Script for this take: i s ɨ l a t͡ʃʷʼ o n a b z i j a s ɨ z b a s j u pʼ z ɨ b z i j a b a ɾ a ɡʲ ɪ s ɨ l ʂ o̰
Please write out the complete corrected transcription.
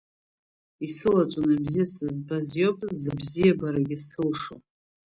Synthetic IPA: i s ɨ l a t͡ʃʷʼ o n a b z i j a s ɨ z b a z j o pʼ z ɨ b z i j a b a ɾ a ɡʲ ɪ s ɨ l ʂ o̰